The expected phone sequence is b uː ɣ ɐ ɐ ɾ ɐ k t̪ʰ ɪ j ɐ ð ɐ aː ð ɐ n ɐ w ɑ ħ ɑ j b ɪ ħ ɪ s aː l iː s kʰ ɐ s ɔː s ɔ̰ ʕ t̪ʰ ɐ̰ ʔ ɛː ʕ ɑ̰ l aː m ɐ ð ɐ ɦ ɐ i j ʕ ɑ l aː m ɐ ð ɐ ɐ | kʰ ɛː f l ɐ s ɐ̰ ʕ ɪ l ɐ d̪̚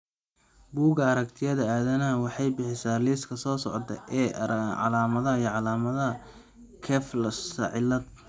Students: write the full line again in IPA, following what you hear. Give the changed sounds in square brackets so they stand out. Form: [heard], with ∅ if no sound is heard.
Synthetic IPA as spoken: b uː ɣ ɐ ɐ ɾ ɐ k t̪ʰ ɪ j ɐ ð ɐ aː ð ɐ n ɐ w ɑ ħ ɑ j b ɪ ħ ɪ s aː l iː s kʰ ɐ s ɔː s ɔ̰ ʕ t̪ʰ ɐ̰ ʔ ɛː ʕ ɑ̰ l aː m ɐ ð ɐ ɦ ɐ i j ʕ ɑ l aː m ɐ ð ɐ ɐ | kʰ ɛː f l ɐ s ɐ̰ ʕ ɪ l ɐ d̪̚